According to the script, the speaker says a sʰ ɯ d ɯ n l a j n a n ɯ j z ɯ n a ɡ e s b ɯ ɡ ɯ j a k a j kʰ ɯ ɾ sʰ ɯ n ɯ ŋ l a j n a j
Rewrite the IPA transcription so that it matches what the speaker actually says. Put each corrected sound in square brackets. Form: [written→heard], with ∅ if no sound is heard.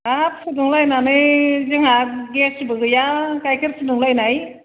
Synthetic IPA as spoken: a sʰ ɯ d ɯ [n→ŋ] l a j n a n ɯ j z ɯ [n→ŋ] a ɡ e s b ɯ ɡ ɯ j a k a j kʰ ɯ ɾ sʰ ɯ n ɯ ŋ l a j n a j